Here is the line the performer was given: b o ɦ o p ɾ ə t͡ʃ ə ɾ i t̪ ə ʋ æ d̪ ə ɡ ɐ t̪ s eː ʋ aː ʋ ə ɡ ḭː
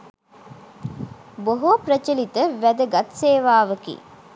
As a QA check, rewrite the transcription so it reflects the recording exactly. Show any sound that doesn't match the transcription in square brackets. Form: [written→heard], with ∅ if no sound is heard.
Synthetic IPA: b o ɦ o p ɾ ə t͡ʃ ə [ɾ→l] i t̪ ə ʋ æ d̪ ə ɡ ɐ t̪ s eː ʋ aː ʋ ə [ɡ→k] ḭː